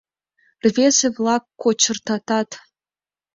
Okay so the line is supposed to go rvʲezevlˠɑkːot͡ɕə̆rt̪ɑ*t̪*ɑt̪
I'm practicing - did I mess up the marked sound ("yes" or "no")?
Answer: no